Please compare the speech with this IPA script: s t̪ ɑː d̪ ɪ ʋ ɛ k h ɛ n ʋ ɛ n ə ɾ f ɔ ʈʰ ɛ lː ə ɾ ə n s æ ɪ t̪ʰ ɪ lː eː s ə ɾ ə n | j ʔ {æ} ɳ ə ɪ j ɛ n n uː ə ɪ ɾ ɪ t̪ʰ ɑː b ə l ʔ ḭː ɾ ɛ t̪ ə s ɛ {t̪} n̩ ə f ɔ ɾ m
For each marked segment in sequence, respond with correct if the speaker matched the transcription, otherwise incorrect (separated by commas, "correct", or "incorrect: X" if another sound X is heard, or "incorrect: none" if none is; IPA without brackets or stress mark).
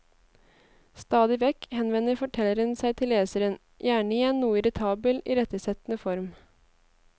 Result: incorrect: æː, correct